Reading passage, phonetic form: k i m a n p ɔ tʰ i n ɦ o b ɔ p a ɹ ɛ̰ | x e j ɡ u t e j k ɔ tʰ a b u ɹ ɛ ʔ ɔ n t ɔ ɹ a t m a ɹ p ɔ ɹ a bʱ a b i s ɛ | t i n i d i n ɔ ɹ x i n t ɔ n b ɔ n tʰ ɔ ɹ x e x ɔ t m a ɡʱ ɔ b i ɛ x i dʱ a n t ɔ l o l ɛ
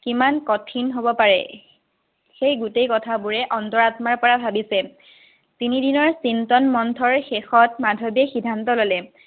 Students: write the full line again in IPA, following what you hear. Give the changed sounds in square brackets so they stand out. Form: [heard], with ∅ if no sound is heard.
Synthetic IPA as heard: k i m a n [k] ɔ tʰ i n ɦ o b ɔ p a ɹ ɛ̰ | x e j ɡ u t e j k ɔ tʰ a b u ɹ ɛ ʔ ɔ n t ɔ ɹ a t m a ɹ p ɔ ɹ a bʱ a b i s ɛ | t i n i d i n ɔ ɹ [s] i n t ɔ n [m] ɔ n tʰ ɔ ɹ x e x ɔ t m a [dʱ] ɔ b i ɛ x i dʱ a n t ɔ l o l ɛ